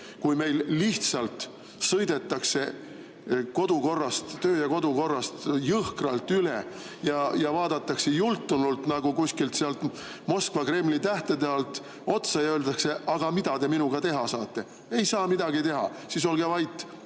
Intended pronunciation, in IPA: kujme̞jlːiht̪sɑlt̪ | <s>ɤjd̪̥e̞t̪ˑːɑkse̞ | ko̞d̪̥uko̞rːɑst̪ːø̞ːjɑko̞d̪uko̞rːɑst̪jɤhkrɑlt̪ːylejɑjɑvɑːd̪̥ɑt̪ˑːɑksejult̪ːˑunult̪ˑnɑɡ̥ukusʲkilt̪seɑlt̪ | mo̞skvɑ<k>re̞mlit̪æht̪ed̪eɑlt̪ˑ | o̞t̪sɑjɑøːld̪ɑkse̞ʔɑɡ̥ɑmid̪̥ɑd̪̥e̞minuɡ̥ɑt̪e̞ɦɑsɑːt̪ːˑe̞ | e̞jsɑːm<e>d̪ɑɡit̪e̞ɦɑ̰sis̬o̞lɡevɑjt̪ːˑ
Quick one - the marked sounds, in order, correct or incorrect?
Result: correct, correct, incorrect

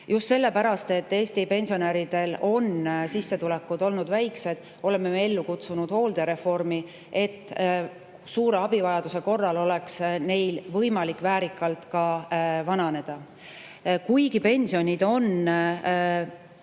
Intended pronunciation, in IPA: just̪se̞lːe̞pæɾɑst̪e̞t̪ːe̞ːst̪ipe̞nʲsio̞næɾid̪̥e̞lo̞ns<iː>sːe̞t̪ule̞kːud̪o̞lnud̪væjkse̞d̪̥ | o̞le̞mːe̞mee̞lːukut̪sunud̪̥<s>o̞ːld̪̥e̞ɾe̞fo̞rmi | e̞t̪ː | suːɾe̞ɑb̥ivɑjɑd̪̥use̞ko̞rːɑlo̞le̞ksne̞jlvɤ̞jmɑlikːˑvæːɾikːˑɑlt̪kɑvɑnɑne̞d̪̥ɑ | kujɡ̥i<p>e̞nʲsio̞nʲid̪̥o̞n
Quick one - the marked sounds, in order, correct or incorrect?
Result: incorrect, incorrect, correct

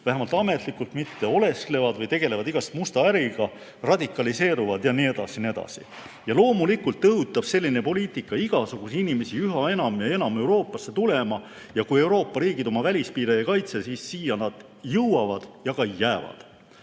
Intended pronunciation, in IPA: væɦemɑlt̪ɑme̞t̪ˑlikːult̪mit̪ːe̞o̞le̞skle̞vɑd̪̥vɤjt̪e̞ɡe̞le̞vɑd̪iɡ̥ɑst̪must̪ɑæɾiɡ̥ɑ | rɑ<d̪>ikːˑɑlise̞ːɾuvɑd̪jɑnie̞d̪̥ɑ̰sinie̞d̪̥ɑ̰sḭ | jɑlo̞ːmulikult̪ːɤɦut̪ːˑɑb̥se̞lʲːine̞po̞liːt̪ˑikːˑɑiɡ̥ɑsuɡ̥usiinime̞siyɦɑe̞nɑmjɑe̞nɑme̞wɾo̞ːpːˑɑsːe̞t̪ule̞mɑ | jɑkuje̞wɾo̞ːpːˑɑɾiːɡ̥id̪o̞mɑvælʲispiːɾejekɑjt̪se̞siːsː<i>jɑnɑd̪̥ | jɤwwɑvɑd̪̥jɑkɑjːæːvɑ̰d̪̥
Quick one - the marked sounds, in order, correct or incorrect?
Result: correct, incorrect

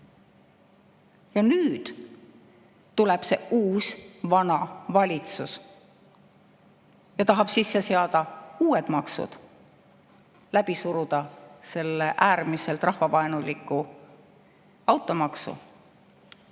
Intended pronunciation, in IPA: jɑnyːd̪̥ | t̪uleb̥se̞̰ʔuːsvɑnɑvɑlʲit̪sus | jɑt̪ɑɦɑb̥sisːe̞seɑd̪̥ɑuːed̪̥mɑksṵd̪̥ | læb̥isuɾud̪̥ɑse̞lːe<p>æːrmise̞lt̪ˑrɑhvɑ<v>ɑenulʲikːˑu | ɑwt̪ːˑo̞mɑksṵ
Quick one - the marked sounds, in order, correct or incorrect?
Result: incorrect, correct

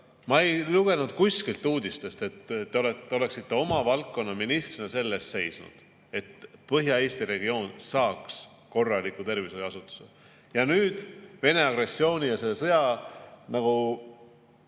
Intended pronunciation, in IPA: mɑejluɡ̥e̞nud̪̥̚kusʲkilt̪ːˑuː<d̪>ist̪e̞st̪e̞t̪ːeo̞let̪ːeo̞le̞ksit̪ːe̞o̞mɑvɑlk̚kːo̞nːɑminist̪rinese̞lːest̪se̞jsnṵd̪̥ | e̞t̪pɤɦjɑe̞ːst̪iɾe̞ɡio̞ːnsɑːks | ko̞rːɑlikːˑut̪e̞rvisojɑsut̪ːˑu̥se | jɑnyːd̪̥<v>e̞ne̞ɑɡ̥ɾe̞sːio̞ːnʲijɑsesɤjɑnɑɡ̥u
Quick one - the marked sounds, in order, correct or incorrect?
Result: correct, correct

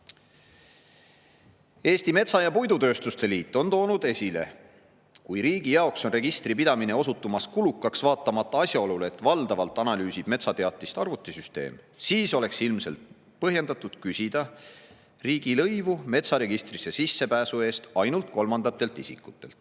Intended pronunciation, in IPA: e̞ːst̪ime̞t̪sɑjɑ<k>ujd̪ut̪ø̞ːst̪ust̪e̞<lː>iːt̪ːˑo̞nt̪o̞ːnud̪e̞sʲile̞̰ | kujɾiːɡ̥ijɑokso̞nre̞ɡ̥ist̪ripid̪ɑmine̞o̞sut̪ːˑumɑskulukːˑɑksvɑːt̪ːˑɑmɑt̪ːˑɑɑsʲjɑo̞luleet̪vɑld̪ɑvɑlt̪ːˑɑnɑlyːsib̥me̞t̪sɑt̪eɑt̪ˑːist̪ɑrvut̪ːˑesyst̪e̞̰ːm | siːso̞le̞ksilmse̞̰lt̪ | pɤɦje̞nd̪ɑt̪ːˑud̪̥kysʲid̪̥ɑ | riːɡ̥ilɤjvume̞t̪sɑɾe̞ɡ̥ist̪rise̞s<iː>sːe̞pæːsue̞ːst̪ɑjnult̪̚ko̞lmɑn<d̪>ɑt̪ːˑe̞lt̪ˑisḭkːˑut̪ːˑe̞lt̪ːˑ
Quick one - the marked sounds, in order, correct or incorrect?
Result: incorrect, incorrect, incorrect, correct

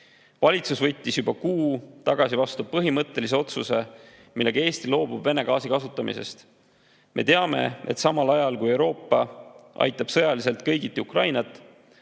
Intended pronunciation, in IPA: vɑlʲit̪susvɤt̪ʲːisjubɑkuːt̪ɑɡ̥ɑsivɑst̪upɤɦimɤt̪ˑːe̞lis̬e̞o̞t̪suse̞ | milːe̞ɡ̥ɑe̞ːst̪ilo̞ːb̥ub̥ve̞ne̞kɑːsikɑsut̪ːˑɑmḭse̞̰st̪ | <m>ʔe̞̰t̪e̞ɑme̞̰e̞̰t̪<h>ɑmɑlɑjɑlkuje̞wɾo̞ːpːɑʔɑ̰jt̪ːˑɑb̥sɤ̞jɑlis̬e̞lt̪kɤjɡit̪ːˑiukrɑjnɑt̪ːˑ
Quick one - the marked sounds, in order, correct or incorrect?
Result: correct, incorrect

